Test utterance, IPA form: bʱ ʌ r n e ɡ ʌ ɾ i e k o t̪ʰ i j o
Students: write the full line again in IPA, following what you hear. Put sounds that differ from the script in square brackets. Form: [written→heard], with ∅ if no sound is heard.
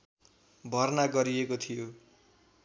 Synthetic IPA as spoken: bʱ ʌ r n [e→a] ɡ ʌ ɾ i e k o t̪ʰ i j o